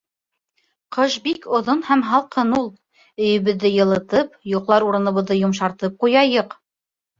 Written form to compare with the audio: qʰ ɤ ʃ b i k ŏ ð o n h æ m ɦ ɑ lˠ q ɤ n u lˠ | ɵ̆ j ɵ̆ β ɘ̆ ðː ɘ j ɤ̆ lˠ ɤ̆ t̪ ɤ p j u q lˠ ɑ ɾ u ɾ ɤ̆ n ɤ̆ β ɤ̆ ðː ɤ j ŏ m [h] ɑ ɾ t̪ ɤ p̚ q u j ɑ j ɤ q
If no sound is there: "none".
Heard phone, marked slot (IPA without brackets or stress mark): ʃ